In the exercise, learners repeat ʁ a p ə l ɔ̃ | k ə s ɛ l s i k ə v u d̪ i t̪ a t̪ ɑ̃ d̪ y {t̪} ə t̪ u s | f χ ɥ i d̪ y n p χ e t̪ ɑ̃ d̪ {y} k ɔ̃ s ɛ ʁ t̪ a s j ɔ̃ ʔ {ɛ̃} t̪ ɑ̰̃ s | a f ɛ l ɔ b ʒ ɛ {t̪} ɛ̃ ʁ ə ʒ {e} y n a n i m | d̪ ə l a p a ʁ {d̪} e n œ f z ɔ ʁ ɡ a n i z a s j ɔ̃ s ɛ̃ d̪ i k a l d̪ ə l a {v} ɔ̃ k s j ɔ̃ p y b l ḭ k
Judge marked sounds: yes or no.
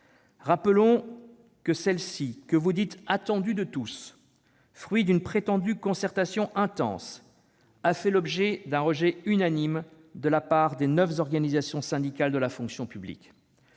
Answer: no, yes, yes, no, no, yes, no

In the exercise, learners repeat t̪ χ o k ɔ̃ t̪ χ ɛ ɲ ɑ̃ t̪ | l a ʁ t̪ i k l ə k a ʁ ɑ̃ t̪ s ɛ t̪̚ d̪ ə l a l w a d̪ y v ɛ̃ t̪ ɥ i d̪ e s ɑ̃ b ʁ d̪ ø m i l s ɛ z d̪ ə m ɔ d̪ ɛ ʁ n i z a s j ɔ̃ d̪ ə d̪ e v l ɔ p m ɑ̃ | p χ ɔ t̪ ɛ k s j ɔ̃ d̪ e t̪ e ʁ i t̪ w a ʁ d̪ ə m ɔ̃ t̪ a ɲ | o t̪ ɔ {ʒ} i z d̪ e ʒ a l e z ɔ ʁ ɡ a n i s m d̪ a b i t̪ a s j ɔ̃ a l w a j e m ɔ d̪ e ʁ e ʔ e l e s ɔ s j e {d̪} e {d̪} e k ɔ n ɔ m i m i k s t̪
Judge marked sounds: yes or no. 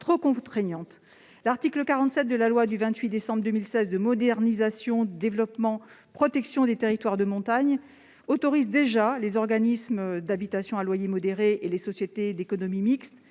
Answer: no, no, yes

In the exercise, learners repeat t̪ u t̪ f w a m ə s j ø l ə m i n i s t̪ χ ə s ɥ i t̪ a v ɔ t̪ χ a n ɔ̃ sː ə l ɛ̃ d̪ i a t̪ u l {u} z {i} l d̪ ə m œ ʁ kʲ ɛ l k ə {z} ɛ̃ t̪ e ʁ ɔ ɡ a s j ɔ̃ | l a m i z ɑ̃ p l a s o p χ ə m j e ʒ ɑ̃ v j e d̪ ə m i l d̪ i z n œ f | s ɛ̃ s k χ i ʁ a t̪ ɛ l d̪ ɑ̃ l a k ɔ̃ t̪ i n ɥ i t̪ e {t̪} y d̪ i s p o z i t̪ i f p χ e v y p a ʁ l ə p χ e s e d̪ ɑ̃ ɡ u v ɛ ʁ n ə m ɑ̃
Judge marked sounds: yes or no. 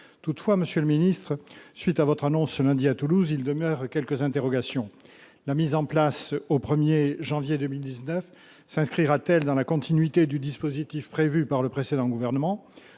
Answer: yes, yes, yes, no

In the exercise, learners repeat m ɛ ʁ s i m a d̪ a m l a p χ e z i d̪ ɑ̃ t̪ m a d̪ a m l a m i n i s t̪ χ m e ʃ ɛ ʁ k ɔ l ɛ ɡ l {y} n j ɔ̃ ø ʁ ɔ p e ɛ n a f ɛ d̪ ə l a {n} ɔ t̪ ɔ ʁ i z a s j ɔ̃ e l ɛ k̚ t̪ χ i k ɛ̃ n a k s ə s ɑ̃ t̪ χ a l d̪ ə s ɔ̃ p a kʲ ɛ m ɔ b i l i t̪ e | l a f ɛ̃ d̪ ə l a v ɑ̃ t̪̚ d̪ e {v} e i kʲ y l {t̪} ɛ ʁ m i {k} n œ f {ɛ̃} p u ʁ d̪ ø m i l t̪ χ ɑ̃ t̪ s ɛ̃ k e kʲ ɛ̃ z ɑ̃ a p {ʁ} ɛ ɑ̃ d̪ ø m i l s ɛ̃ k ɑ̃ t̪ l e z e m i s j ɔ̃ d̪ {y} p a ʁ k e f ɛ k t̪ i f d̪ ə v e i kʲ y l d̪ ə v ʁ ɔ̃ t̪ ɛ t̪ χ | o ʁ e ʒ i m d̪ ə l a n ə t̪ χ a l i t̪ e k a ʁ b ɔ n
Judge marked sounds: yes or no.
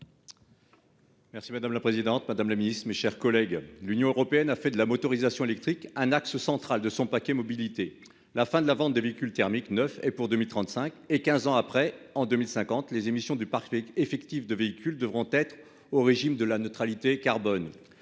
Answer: yes, no, yes, yes, yes, no, no, yes

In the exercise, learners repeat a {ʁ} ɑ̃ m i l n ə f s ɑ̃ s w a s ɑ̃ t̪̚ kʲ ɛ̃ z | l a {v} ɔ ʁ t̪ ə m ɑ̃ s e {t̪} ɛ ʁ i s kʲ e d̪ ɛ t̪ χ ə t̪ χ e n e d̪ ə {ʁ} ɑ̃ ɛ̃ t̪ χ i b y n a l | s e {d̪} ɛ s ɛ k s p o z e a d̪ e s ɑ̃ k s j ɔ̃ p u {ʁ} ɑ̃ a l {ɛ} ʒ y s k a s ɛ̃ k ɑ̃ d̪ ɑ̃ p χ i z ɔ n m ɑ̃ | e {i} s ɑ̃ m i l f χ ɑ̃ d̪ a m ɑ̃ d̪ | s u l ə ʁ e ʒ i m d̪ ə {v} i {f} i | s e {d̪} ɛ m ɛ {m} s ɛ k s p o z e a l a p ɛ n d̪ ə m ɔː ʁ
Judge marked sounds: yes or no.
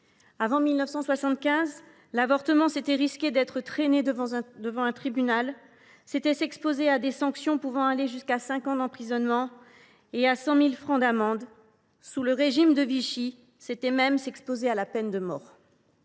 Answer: no, yes, yes, no, no, no, no, no, yes, no, no, yes

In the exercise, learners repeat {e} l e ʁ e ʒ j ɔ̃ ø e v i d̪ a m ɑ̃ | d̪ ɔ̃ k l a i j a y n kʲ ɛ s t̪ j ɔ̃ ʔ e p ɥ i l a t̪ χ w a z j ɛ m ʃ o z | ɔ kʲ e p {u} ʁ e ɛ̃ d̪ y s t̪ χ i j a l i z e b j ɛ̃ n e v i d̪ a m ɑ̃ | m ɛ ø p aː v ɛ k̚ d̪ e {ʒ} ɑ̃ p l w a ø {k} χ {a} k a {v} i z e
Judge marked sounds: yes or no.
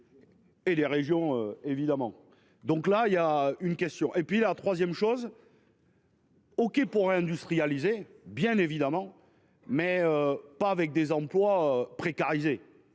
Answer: yes, yes, no, no, no, no

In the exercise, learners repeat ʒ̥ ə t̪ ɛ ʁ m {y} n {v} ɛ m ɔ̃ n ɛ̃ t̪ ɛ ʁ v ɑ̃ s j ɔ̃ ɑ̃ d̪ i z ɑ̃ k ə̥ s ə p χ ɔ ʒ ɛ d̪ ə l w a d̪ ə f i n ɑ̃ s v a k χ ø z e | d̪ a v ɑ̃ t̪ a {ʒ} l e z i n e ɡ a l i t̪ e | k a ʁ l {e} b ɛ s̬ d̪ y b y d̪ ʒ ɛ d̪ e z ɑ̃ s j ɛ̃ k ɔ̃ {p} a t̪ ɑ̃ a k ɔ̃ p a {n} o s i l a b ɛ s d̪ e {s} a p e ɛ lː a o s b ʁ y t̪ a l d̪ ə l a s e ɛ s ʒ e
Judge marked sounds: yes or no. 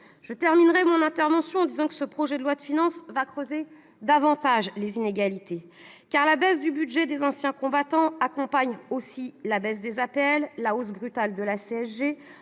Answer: no, no, yes, no, no, no, no

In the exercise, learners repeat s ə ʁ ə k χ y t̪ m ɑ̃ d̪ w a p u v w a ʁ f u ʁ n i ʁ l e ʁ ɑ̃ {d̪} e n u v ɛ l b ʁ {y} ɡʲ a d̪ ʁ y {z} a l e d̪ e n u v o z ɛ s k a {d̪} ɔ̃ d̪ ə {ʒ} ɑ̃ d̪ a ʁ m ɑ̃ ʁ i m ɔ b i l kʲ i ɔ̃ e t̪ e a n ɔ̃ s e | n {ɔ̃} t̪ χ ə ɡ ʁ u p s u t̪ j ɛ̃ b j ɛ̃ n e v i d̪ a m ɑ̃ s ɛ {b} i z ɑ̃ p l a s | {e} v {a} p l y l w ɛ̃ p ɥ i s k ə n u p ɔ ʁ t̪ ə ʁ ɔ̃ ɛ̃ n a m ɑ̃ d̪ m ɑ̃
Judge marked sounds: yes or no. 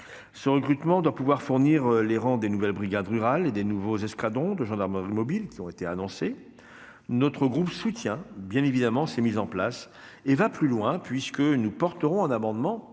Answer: yes, no, no, yes, yes, no, no, yes, yes

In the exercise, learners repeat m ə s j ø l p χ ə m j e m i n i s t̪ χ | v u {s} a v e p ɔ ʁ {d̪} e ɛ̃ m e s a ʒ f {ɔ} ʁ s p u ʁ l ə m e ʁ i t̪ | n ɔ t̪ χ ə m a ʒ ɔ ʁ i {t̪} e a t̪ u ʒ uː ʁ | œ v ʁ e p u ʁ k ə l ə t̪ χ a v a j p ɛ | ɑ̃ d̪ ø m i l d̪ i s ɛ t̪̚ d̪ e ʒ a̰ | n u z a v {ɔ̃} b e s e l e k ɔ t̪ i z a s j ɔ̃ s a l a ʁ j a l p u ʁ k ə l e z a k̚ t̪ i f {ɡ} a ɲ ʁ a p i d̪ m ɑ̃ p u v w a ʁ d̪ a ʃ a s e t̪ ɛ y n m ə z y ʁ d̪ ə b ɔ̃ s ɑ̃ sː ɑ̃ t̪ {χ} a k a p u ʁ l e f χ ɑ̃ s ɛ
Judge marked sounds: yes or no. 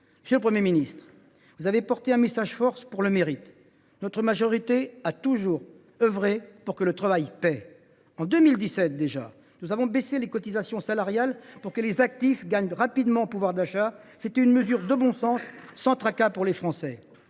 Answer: no, no, yes, yes, yes, yes, yes

